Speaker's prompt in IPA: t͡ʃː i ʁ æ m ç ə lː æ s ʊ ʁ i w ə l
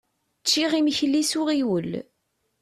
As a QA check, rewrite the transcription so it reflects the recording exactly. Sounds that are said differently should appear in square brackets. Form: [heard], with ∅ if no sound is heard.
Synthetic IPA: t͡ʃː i ʁ [i] m ç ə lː [i] s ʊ ʁ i w ə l

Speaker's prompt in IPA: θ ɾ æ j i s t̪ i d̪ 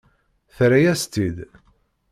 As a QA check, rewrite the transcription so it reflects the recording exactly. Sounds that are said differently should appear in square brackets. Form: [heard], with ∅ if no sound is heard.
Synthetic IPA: θ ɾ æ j [æ] s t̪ i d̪

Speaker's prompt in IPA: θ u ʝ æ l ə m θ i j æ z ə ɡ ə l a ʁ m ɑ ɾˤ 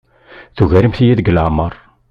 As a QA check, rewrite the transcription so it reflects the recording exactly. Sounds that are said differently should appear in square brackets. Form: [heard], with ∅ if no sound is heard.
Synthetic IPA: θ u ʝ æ [ɾ] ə m θ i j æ [ð] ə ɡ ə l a [ʕ] m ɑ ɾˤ

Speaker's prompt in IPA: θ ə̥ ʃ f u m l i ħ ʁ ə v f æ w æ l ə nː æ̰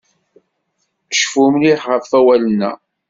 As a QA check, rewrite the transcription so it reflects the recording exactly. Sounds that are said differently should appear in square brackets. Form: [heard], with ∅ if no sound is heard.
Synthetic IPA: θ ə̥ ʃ f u m l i ħ ʁ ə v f æ w æ l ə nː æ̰

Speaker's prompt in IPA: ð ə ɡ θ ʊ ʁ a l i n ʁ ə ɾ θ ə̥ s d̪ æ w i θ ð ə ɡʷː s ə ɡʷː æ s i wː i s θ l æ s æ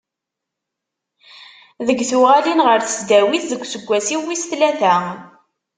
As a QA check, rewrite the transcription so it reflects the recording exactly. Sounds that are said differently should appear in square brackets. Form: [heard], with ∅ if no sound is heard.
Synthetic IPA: ð ə ɡ θ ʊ ʁ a l i n ʁ ə ɾ θ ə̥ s d̪ æ w i θ ð ə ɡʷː s ə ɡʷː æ s i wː i s θ l æ [θ] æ

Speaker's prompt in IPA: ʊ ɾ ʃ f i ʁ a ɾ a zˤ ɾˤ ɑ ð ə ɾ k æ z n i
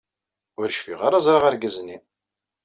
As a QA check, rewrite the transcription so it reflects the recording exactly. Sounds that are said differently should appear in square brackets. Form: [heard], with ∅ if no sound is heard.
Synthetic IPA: ʊ ɾ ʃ f i ʁ a ɾ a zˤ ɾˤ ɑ [ʁ] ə ɾ [ɡ] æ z n i

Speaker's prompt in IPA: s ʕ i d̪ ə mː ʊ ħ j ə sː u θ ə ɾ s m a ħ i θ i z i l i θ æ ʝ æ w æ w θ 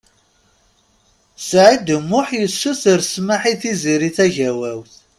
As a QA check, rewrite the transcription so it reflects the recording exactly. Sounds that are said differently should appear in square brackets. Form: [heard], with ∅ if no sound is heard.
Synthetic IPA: s ʕ i d̪ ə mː ʊ ħ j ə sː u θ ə ɾ s m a ħ i θ i z i [ɾ] i θ æ ʝ æ w æ w θ

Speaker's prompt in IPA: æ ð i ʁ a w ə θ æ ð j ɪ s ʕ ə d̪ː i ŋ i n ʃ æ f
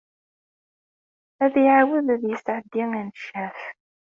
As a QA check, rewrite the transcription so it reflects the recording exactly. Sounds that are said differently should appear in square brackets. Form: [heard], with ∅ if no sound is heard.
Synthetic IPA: æ ð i [ʕ] a w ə [ð] æ ð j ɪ s ʕ ə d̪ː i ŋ [æ] n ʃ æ f

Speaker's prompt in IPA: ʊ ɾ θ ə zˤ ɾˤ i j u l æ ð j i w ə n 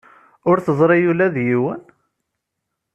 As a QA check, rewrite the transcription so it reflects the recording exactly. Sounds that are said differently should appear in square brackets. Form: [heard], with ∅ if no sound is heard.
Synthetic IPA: ʊ ɾ θ ə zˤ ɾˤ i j u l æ ð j i w ə n

